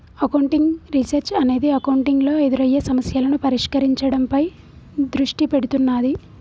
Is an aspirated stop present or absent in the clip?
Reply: absent